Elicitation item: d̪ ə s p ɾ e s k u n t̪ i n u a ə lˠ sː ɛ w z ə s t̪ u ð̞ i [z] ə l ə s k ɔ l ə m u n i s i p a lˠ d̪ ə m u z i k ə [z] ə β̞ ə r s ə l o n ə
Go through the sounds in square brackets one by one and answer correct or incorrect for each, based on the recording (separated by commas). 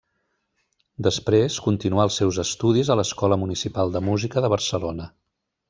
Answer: correct, incorrect